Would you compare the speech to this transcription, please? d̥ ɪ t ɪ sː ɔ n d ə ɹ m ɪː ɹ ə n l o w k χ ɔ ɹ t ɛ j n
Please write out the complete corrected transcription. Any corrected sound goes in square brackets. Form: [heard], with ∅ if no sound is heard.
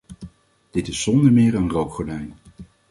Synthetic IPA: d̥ ɪ t ɪ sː ɔ n d ə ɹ m ɪː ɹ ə n [r] o w k χ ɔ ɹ [d] ɛ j n

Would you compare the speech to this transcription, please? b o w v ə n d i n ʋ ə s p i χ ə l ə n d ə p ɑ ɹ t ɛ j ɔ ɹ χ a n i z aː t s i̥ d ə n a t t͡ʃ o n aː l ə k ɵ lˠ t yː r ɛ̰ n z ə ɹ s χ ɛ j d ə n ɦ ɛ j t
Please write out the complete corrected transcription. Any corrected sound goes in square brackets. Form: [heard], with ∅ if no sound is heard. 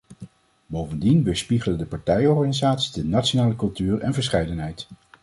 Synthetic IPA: b o w v ə n d i n ʋ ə s p i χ ə l ə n d ə p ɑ ɹ t ɛ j ɔ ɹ χ a n i z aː t s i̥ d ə n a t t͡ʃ o n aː l ə k ɵ lˠ t yː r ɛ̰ n [v] ə ɹ s χ ɛ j d ə n ɦ ɛ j t

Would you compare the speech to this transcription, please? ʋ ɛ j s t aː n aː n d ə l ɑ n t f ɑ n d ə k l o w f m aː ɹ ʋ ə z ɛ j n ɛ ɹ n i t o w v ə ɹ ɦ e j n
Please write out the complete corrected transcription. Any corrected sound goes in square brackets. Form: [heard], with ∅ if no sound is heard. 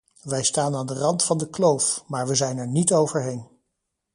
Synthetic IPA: ʋ ɛ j s t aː n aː n d ə [r] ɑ n t f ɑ n d ə k l o w f m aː ɹ ʋ ə z ɛ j n ɛ ɹ n i t o w v ə ɹ ɦ e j n

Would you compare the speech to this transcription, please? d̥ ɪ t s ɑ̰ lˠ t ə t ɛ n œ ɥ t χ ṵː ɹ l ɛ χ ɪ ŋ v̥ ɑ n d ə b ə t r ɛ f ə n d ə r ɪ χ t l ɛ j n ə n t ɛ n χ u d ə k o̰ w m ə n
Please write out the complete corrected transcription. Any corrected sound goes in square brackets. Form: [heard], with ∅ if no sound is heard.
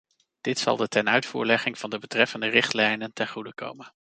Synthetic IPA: d̥ ɪ t s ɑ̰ lˠ [d] ə t ɛ n œ ɥ t [f] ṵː ɹ l ɛ χ ɪ ŋ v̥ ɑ n d ə b ə t r ɛ f ə n d ə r ɪ χ t l ɛ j n ə n t ɛ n χ u d ə k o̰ w m ə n

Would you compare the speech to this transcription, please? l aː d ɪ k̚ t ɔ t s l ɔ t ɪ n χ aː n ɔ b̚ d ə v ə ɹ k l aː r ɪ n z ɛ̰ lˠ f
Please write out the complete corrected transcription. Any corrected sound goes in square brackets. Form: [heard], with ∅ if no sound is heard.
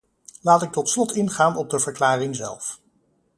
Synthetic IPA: l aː [t] ɪ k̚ t ɔ t s l ɔ t ɪ n χ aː n ɔ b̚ d ə v ə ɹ k l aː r ɪ [ŋ] z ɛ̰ lˠ f

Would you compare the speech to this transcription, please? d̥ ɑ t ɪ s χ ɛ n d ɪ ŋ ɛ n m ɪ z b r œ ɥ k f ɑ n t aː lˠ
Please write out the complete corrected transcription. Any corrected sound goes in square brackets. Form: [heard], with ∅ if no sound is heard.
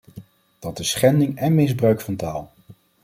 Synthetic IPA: d̥ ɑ t ɪ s χ ɛ n d ɪ ŋ ɛ n m ɪ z b r œ ɥ k f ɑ n t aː lˠ

